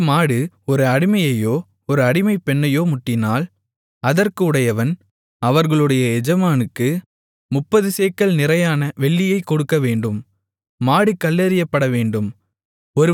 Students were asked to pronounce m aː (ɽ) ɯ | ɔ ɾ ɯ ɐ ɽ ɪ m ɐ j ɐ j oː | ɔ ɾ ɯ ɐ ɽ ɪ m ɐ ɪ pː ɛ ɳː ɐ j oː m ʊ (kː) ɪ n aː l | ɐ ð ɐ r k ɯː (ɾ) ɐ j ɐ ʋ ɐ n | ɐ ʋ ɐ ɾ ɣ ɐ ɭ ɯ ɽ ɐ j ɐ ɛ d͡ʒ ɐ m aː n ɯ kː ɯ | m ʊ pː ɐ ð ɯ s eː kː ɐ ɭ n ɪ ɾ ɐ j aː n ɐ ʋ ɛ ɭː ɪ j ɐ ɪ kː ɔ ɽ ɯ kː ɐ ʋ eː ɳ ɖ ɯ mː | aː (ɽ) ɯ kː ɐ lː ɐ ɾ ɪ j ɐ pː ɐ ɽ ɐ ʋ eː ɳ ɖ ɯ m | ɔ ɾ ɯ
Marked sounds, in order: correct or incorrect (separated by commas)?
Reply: correct, incorrect, incorrect, correct